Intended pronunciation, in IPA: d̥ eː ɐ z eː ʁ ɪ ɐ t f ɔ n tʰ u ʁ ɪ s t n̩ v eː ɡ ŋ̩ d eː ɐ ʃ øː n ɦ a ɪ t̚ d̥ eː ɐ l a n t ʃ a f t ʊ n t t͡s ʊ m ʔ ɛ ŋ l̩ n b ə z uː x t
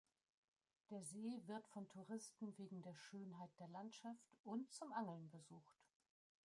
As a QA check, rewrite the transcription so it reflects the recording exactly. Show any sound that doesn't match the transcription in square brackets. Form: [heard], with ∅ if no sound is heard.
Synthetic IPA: d̥ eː ɐ z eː [v] ɪ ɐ t f ɔ n tʰ u ʁ ɪ s t n̩ v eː ɡ ŋ̩ d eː ɐ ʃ øː n ɦ a ɪ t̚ d̥ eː ɐ l a n t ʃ a f t ʊ n t t͡s ʊ m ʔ [a] ŋ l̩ n b ə z uː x t